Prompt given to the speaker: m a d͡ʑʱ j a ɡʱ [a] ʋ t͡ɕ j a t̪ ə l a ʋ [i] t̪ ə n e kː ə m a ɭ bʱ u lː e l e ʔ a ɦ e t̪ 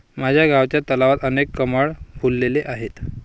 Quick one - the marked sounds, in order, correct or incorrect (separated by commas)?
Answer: correct, incorrect